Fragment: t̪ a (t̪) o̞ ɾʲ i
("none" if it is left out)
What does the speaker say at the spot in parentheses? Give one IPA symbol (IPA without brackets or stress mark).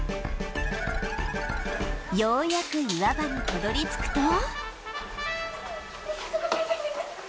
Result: d̪